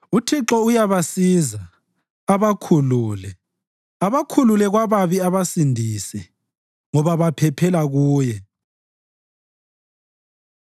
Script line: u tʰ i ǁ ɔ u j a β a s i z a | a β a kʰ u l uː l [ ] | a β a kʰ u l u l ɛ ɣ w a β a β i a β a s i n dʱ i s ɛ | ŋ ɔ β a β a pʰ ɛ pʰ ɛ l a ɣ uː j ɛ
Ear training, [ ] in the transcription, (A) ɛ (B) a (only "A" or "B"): A